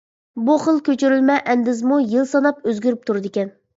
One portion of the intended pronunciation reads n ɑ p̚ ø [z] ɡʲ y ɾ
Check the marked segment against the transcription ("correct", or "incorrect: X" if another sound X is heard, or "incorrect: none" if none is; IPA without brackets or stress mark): correct